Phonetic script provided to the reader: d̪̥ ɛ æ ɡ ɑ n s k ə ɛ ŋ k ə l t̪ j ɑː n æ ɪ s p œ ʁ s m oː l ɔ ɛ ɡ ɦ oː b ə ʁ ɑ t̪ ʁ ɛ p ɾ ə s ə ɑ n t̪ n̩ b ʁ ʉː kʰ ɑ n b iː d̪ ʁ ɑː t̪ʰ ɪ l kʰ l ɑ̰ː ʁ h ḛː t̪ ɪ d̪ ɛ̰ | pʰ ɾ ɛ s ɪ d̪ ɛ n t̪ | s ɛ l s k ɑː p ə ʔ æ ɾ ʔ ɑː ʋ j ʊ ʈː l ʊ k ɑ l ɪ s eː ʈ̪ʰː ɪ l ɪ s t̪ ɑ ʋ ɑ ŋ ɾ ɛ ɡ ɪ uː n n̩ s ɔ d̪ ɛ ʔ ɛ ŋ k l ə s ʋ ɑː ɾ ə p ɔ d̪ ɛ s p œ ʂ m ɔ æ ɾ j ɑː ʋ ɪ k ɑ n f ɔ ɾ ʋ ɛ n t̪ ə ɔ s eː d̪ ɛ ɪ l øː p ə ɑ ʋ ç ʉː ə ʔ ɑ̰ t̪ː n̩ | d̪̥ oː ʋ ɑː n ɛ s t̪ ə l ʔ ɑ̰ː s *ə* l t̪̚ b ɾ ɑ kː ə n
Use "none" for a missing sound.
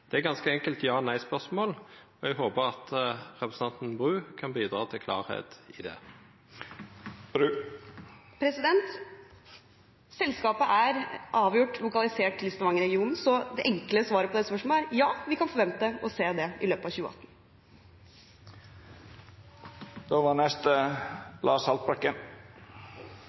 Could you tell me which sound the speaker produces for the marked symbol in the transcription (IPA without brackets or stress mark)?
ɑ